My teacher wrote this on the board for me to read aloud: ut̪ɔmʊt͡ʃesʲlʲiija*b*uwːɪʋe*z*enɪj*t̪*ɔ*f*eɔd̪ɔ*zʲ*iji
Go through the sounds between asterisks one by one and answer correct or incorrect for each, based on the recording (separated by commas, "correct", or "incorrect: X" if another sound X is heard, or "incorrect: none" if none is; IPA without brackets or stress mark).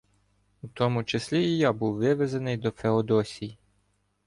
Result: correct, correct, incorrect: d̪, correct, incorrect: sʲ